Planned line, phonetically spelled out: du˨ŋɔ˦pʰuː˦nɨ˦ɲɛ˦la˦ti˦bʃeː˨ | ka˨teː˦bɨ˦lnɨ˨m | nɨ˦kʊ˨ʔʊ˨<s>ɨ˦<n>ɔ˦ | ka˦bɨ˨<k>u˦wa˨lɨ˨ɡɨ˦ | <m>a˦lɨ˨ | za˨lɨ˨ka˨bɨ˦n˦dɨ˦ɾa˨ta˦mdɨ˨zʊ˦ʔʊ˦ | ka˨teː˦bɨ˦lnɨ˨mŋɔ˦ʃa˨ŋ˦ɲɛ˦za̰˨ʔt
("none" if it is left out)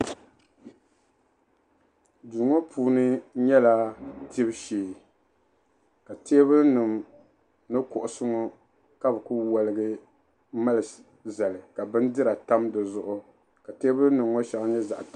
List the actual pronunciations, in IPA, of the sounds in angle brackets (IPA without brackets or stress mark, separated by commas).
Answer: s, ŋ, k, m